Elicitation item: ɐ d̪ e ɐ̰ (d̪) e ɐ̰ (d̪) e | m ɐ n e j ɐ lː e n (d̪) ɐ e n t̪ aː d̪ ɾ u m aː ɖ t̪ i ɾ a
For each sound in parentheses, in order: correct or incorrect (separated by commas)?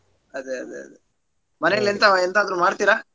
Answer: correct, correct, incorrect